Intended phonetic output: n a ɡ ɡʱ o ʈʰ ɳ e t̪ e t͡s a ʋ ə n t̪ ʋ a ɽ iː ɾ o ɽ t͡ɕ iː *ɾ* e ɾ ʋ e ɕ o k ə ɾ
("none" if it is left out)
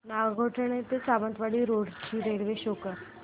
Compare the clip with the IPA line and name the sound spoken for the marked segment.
ɾ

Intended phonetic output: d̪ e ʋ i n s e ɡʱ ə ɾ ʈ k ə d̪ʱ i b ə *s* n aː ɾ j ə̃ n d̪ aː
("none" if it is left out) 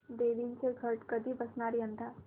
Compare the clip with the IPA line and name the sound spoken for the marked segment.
s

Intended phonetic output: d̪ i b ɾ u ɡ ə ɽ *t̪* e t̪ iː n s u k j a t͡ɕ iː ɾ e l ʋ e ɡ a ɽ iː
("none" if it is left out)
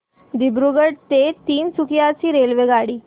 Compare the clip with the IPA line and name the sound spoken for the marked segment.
t̪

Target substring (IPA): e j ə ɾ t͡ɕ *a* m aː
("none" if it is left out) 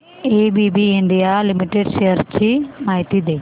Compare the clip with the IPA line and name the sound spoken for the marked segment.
i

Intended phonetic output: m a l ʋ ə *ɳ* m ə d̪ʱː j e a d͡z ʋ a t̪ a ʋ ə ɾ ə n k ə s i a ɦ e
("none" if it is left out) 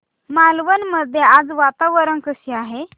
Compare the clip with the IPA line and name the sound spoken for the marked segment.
n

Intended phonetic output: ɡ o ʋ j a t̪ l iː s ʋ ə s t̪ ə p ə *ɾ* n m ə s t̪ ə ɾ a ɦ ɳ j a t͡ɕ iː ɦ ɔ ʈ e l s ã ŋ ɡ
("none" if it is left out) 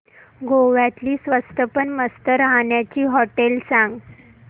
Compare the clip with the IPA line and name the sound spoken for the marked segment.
none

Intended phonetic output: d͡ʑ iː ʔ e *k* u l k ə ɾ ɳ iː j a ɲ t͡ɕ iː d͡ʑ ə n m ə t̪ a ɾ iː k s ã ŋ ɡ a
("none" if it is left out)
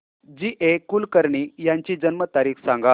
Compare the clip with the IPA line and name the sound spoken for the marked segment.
k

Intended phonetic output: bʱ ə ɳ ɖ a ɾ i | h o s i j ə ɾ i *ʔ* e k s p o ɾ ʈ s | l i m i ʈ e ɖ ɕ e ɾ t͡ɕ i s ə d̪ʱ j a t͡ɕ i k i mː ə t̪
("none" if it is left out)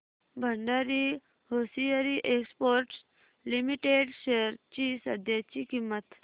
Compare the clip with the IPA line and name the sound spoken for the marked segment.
ʔ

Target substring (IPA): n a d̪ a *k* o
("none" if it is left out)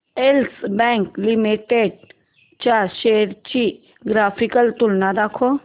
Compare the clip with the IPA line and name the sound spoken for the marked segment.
kʰ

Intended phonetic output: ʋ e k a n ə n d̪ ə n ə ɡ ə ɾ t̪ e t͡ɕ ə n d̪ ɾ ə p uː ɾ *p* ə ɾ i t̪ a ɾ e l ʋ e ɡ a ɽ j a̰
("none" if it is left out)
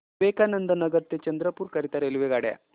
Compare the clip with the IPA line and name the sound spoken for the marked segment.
k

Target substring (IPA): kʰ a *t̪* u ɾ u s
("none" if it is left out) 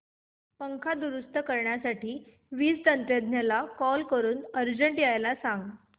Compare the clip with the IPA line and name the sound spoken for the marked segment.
d̪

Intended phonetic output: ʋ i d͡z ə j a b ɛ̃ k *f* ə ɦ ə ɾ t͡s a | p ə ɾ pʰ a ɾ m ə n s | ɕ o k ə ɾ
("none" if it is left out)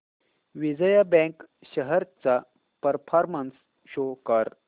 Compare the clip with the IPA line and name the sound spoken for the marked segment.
ɕ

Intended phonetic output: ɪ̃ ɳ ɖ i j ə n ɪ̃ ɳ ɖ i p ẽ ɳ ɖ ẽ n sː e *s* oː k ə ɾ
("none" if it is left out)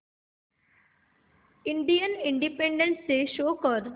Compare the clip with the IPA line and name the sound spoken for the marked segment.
ʃ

